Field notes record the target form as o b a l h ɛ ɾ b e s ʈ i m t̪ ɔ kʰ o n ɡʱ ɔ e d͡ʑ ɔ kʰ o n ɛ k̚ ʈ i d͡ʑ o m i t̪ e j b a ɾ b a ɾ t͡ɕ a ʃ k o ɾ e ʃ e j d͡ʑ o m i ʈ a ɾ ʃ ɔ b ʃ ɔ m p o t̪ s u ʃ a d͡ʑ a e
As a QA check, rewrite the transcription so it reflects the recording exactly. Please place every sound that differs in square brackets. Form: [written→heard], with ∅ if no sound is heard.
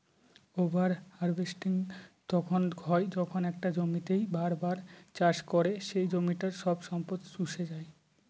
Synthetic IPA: o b a [l→ɾ] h [ɛ→a] ɾ b e s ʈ i [m→ŋ] t̪ ɔ kʰ o n ɡʱ ɔ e d͡ʑ ɔ kʰ o n ɛ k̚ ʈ [i→a] d͡ʑ o m i t̪ e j b a ɾ b a ɾ t͡ɕ a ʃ k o ɾ e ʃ e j d͡ʑ o m i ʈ a ɾ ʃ ɔ b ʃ ɔ m p o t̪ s u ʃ [a→e] d͡ʑ a e

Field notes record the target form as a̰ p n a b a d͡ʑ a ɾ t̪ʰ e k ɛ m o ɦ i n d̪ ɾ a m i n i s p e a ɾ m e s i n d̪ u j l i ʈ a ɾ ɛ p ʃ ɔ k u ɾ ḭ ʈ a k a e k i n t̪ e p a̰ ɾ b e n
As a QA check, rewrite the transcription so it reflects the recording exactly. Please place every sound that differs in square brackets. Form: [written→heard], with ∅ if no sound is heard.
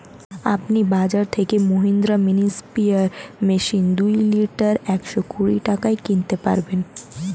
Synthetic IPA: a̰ p n [a→i] b a d͡ʑ a ɾ t̪ʰ e k [ɛ→e] m o ɦ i n d̪ ɾ a m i n i s p [e→i] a ɾ m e [s→ʃ] i n d̪ u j l i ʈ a ɾ ɛ [p→k] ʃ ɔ k u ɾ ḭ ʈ a k a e k i n t̪ e p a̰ ɾ b e n

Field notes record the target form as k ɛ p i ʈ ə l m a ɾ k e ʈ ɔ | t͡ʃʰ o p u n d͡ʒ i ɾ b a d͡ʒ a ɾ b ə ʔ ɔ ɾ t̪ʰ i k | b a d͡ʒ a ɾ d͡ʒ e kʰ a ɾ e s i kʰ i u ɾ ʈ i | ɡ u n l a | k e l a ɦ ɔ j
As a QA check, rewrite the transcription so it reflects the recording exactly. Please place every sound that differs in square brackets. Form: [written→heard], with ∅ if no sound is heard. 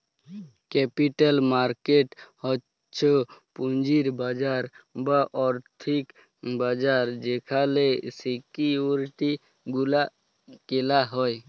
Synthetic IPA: k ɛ p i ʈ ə l m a ɾ k e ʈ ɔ | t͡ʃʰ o p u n d͡ʒ i ɾ b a d͡ʒ a ɾ b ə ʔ ɔ ɾ t̪ʰ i k | b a d͡ʒ a ɾ d͡ʒ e kʰ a [ɾ→l] e s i [kʰ→k] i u ɾ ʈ i | ɡ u [n→∅] l a | k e l a ɦ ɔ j

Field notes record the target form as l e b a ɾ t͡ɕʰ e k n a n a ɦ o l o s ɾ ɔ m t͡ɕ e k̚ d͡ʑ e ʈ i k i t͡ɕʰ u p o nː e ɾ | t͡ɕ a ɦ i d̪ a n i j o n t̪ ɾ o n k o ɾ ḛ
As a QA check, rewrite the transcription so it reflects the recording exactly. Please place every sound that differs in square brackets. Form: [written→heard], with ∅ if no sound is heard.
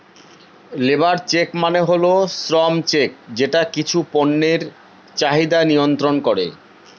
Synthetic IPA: l e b a ɾ [t͡ɕʰ→t͡ɕ] e k [n→m] a n [a→e] ɦ o l o s ɾ ɔ m t͡ɕ e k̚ d͡ʑ e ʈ [i→a] k i t͡ɕʰ u p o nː e ɾ | t͡ɕ a ɦ i d̪ a n i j o n t̪ ɾ o n k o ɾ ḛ

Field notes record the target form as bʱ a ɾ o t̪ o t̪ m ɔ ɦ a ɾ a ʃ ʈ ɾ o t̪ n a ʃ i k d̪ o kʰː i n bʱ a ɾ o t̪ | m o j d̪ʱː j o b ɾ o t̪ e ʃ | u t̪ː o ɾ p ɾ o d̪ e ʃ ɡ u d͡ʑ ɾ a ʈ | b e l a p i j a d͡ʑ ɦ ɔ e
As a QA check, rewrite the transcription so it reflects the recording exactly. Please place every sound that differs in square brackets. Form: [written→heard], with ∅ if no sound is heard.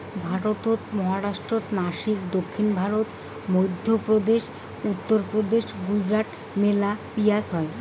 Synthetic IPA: bʱ a ɾ o t̪ o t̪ m ɔ ɦ a ɾ a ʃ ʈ ɾ o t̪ n a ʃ i k d̪ o kʰː i n bʱ a ɾ o t̪ | m o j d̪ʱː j o [b→p] ɾ o [t̪→d̪] e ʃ | u t̪ː o ɾ p ɾ o d̪ e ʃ ɡ u d͡ʑ ɾ a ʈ | [b→m] e l a p i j a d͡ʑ ɦ ɔ e

